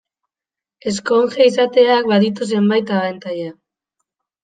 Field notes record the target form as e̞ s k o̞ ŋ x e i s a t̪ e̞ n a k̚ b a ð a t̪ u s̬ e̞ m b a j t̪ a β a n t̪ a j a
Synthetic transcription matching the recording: e̞ s k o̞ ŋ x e i s a t̪ e̞ a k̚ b a ð i t̪ u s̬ e̞ m b a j t̪ a β a n t̪ a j a

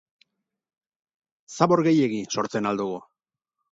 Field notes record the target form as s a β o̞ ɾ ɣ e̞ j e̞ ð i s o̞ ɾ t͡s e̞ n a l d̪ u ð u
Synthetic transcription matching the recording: s a β o̞ ɾ ɣ e̞ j e̞ ɣ i s o̞ ɾ t͡s e̞ n a l d̪ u ɣ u

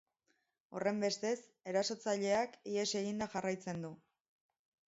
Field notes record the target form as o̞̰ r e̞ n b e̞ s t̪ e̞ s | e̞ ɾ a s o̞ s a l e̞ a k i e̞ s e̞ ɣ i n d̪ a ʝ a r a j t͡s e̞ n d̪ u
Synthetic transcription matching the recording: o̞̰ r e̞ m b e̞ s t̪ e̞ s | e̞ ɾ a s o̞ t͡s a ʎ e̞ a k i e̞ s e̞ ɣ i n d̪ a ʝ a r a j t͡s e̞ n d̪ u

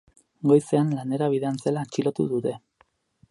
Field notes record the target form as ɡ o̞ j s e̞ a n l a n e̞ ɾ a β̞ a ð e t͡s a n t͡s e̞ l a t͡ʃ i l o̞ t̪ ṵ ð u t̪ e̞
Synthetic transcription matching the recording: ɡ o̞ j s e̞ a n l a n e̞ ɾ a β̞ i ð e a n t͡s e̞ l a t͡ʃ i l o̞ t̪ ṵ ð u t̪ e̞

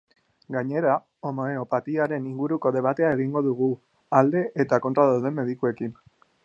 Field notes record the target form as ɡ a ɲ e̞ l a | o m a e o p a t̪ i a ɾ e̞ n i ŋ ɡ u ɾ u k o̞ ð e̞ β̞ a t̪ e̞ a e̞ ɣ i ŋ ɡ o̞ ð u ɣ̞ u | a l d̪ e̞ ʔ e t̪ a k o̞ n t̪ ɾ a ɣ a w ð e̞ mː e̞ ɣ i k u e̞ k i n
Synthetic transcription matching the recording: ɡ a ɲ e̞ ɾ a | o m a e o p a t̪ i a ɾ e̞ n i ŋ ɡ u ɾ u k o̞ ð e̞ β̞ a t̪ e̞ a e̞ ɣ i ŋ ɡ o̞ ð u ɣ̞ u | a l d̪ e̞ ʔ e t̪ a k o̞ n t̪ ɾ a ð a w ð e̞ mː e̞ ð i k u e̞ k i n

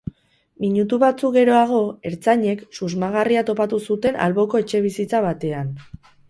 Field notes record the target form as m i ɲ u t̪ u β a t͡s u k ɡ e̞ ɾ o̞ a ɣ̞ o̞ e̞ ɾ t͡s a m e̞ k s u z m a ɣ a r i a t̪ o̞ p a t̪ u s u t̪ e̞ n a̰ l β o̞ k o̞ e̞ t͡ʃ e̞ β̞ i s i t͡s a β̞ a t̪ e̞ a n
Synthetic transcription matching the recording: m i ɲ u t̪ u β a t͡s u k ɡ e̞ ɾ o̞ a ɣ̞ o̞ e̞ ɾ t͡s a ɲ e̞ k s u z m a ɣ a r i a t̪ o̞ p a t̪ u s u t̪ e̞ n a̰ l β o̞ k o̞ e̞ t͡ʃ e̞ β̞ i s i t͡s a β̞ a t̪ e̞ a n

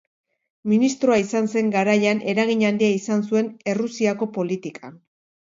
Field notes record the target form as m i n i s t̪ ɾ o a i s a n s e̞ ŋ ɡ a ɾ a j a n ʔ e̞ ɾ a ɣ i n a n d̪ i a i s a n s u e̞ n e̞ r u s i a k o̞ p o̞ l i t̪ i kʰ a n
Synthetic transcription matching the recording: m i n i s t̪ ɾ o a i s a n s e̞ ŋ ɡ a ɾ a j a n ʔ e̞ ɾ a ɣ i ɲ a n d̪ i a i s a n s u e̞ n e̞ r u s i a k o̞ p o̞ l i t̪ i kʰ a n

